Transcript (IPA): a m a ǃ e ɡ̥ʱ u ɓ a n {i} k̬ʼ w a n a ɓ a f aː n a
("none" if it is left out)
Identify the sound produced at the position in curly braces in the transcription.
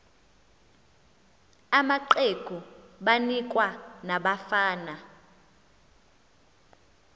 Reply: i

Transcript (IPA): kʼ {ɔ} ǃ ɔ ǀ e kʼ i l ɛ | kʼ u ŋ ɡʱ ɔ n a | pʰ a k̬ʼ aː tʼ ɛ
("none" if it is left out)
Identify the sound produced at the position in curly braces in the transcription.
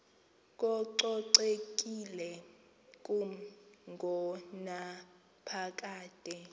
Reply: ɔ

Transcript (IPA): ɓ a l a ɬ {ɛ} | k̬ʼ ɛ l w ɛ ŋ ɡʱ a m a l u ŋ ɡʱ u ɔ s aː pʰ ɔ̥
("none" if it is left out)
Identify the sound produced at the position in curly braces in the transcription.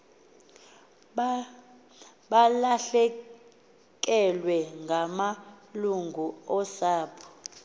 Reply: ɛ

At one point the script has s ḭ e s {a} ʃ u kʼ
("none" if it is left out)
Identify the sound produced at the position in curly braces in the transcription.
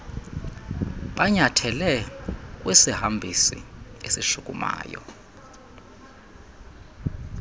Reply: i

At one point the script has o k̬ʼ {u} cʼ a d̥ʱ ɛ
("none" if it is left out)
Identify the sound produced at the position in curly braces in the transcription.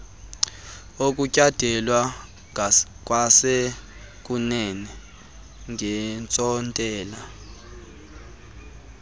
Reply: u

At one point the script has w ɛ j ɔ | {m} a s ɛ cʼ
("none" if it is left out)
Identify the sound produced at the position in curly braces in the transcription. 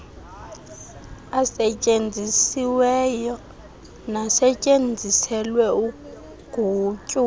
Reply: n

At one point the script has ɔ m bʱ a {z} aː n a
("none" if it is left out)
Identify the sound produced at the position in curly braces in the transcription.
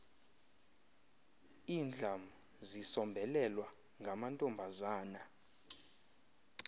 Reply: z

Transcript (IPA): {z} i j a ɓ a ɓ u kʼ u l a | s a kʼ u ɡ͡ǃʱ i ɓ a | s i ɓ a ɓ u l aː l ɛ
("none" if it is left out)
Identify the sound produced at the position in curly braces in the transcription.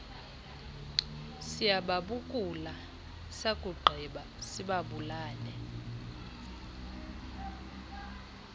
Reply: s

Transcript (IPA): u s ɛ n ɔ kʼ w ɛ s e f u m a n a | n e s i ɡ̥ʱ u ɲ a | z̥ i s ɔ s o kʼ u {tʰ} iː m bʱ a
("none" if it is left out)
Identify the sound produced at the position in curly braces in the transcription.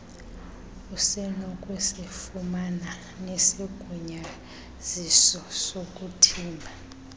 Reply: tʰ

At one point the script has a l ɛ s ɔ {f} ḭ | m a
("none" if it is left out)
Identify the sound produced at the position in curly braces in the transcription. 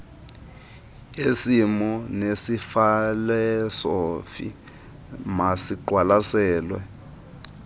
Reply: f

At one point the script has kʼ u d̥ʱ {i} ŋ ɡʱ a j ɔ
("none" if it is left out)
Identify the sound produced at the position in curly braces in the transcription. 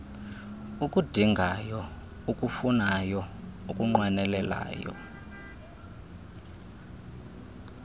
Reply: i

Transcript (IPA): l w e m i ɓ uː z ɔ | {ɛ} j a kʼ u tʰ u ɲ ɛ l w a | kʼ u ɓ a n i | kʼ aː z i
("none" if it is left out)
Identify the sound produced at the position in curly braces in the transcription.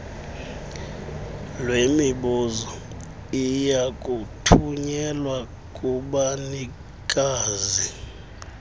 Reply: i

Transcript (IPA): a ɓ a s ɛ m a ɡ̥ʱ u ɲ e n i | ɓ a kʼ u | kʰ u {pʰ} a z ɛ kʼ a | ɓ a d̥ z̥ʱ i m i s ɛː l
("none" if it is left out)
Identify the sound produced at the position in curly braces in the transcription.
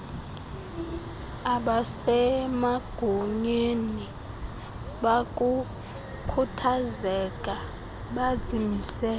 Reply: tʰ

